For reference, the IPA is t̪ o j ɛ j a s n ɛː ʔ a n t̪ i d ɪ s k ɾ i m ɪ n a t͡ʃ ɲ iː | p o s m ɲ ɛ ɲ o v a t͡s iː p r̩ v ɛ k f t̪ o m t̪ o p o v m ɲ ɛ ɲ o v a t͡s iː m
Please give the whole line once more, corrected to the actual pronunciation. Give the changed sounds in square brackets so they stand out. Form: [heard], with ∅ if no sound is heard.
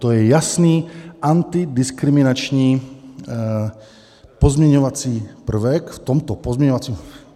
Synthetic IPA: t̪ o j ɛ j a s n [iː] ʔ a n t̪ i d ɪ s k ɾ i m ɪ n a t͡ʃ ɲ iː | p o [z] m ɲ ɛ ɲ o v a t͡s iː p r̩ v ɛ k f t̪ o m t̪ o p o [z] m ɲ ɛ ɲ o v a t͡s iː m